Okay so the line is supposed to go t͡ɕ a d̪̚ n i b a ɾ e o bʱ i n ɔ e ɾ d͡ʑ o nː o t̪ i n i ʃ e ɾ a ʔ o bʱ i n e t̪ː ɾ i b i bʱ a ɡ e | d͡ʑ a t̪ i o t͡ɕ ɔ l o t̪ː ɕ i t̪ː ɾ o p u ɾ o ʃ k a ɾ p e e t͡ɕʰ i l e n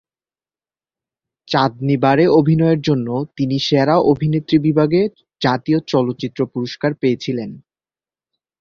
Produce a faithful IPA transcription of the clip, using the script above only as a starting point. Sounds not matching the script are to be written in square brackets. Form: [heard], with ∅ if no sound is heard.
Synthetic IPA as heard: t͡ɕ a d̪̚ n i b a ɾ e o bʱ i n ɔ e ɾ d͡ʑ o nː o t̪ i n i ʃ e ɾ a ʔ o bʱ i n e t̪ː ɾ i b i bʱ a ɡ e | d͡ʑ a t̪ i o t͡ɕ ɔ l o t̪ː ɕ i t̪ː ɾ o p u ɾ o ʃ k a ɾ p e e t͡ɕʰ i l e n